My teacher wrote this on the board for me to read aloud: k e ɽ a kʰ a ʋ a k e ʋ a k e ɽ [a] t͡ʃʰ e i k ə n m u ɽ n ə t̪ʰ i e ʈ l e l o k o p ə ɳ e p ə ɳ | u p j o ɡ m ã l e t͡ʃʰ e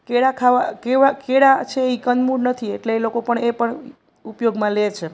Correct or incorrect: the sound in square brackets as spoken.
correct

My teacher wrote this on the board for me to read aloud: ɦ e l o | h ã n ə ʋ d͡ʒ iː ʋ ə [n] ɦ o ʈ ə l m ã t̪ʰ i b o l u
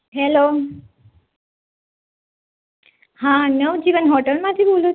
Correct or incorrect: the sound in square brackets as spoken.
correct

